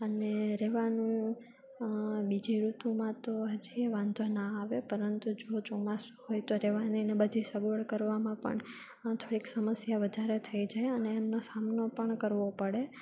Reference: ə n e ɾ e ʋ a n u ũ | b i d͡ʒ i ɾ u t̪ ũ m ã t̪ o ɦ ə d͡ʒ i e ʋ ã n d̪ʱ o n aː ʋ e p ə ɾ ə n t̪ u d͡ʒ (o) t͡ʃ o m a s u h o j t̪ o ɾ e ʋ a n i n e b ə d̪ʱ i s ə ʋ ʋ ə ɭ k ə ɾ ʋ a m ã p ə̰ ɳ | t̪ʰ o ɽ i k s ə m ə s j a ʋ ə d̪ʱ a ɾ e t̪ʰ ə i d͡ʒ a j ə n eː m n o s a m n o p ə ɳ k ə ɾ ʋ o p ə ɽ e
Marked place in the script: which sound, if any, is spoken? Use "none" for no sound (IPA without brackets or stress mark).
o